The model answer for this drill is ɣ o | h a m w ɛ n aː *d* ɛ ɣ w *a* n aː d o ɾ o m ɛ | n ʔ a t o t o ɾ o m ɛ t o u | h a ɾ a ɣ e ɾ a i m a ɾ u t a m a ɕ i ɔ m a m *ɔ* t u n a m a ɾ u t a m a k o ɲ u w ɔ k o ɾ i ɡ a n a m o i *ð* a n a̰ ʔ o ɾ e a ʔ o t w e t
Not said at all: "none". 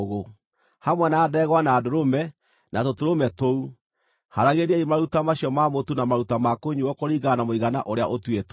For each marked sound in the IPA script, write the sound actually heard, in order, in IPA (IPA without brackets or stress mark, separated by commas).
d, a, o, ɣ